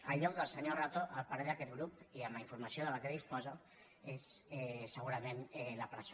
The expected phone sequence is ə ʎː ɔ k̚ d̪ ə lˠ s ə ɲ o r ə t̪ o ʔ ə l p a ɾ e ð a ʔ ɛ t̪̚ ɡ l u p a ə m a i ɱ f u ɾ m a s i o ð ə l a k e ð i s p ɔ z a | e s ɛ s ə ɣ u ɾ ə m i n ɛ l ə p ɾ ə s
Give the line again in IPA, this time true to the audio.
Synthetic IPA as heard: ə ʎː ɔ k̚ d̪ ə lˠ s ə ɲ o r a t̪ o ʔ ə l p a ɾ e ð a k ɛ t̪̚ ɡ ɾ u p i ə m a i ɱ f u ɾ m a s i o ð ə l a k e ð i s p ɔ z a | e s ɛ s ə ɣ u ɾ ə m e n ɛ l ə p ɾ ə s